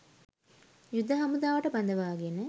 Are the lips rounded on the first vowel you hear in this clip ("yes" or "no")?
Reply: yes